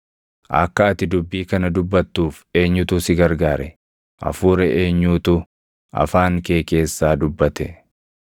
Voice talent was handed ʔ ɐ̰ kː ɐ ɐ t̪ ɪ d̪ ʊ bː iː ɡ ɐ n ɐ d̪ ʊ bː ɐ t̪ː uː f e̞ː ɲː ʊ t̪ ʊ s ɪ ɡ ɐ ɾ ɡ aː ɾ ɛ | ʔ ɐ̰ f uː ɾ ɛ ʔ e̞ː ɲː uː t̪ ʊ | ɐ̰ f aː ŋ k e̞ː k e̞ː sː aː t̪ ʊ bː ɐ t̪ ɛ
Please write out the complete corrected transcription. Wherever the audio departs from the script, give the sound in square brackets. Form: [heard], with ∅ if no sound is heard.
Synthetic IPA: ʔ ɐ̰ kː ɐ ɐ t̪ ɪ d̪ ʊ bː iː [k] ɐ n ɐ d̪ ʊ bː ɐ t̪ː uː f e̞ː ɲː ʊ t̪ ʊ s ɪ ɡ ɐ ɾ ɡ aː ɾ ɛ | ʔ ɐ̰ f uː ɾ ɛ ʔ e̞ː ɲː uː t̪ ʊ | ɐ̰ f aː ŋ k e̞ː k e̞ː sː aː [d̪] ʊ bː ɐ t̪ ɛ